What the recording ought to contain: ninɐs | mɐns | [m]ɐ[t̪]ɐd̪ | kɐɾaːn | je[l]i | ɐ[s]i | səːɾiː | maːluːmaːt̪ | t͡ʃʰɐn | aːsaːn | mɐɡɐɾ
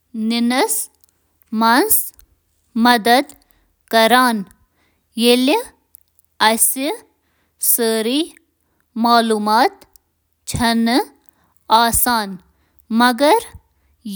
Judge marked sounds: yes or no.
yes, no, yes, yes

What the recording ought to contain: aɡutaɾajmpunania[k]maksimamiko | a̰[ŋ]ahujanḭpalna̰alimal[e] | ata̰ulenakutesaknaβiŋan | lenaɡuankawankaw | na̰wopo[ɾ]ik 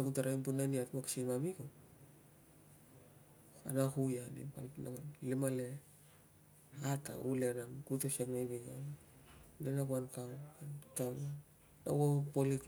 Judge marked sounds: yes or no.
no, no, yes, no

